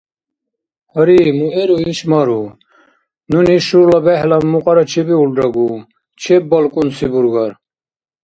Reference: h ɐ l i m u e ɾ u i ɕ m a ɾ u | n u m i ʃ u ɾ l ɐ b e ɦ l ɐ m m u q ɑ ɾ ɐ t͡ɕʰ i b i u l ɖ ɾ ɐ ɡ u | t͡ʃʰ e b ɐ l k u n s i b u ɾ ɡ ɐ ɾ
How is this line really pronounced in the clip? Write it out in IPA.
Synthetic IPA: h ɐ ɾ i m u e ɾ u i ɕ m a ɾ u | n u n i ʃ u ɾ l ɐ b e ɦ l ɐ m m u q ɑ ɾ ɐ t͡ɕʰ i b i u l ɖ ɾ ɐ ɡ u | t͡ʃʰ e b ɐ l k u n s i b u ɾ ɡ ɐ ɾ